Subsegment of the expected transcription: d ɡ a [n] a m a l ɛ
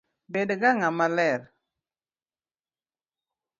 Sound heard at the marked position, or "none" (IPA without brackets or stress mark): ŋ